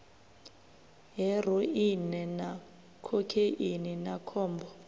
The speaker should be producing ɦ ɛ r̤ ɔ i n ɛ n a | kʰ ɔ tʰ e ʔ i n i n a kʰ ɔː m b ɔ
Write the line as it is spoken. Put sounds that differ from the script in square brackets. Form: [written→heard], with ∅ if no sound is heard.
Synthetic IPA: ɦ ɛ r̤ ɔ i n ɛ n a | kʰ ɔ [tʰ→kʰ] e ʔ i n i n a kʰ ɔː m b ɔ